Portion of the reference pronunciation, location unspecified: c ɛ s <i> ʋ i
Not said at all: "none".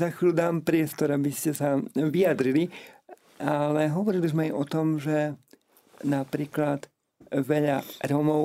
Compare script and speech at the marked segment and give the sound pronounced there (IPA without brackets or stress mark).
a